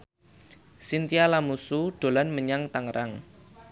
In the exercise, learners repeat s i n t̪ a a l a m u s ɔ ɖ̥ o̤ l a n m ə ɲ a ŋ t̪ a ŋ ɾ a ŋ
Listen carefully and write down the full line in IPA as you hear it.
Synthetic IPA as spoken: s i n t̪ i a l a m u s u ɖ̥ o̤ l a n m ə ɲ a ŋ t̪ a ŋ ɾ a ŋ